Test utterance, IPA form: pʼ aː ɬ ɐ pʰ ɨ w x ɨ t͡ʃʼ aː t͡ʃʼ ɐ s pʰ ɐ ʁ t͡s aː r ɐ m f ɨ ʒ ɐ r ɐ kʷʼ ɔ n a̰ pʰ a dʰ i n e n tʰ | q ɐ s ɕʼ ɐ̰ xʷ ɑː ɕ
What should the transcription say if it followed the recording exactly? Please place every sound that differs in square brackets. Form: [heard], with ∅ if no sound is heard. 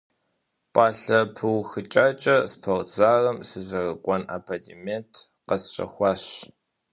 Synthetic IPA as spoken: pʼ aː ɬ ɐ pʰ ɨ w x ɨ t͡ʃʼ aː t͡ʃʼ ɐ s pʰ ɐ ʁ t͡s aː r ɐ m [s] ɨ [z] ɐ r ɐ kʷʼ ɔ n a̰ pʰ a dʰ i [m] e n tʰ | q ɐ s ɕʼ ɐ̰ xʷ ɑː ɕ